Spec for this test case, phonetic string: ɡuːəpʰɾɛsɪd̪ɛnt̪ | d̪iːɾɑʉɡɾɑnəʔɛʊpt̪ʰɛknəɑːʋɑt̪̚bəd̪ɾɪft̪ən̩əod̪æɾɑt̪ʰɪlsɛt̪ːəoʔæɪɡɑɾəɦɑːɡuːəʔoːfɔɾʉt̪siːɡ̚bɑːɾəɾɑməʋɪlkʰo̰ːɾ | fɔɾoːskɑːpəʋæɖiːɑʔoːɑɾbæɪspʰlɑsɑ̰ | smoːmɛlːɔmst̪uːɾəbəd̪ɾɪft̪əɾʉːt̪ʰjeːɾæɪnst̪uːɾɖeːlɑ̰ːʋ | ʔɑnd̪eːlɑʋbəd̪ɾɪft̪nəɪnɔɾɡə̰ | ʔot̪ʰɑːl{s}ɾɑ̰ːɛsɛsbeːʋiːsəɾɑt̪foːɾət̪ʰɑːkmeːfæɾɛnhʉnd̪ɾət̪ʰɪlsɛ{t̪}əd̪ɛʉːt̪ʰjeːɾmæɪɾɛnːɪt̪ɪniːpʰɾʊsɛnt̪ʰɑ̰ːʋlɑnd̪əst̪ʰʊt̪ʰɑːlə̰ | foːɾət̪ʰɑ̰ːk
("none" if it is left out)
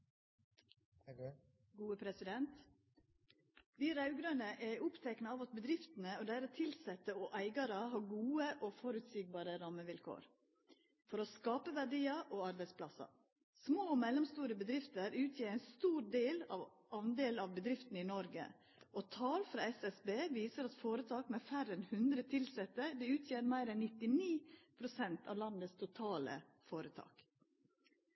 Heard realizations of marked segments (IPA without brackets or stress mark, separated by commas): f, t̪